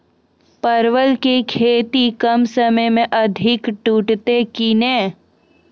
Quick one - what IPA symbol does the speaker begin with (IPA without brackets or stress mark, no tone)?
p